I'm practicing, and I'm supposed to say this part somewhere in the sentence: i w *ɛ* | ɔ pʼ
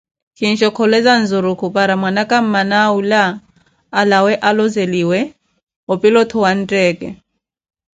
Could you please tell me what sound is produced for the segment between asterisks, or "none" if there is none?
ɛ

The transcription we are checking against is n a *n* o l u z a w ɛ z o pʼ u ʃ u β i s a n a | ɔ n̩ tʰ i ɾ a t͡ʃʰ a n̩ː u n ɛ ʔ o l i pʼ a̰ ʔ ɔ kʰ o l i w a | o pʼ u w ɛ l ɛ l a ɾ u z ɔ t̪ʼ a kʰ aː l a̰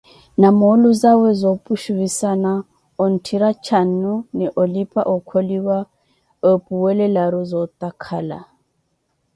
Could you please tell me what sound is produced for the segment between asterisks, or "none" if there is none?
m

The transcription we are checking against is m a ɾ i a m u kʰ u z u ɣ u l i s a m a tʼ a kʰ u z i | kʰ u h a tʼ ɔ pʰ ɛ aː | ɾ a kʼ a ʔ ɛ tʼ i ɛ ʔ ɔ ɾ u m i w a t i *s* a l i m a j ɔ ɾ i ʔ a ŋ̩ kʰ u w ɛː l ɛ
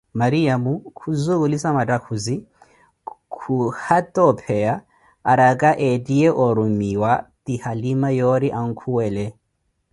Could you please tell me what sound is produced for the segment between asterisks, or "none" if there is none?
h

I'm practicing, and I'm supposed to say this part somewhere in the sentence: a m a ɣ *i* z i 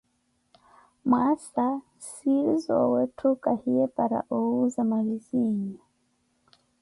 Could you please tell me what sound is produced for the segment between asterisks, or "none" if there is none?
i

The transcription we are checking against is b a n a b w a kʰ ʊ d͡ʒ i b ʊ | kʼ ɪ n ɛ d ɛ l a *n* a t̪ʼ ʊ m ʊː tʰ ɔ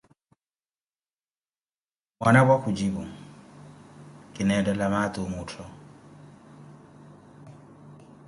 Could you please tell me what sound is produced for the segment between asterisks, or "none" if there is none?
m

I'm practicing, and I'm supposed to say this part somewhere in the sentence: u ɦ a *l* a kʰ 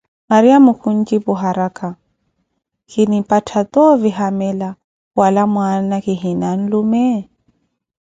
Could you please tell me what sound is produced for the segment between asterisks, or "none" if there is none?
ɾ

